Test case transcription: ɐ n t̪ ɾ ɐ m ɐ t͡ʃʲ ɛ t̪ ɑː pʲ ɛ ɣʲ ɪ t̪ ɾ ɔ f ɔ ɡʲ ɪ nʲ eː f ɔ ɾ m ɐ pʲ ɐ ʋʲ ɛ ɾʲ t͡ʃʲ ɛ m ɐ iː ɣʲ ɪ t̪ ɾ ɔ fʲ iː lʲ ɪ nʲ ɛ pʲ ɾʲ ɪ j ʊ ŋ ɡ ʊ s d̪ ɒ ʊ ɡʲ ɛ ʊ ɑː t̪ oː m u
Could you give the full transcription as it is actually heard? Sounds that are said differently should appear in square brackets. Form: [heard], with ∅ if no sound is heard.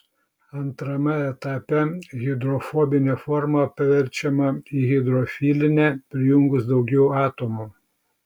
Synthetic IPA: ɐ n t̪ ɾ ɐ m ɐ [∅] ɛ t̪ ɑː pʲ ɛ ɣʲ ɪ [d̪] ɾ ɔ f ɔ [bʲ] ɪ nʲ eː f ɔ ɾ m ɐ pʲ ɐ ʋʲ ɛ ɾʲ t͡ʃʲ ɛ m ɐ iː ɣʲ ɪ [d̪] ɾ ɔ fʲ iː lʲ ɪ nʲ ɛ pʲ ɾʲ ɪ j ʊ ŋ ɡ ʊ s d̪ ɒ ʊ ɡʲ ɛ ʊ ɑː t̪ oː m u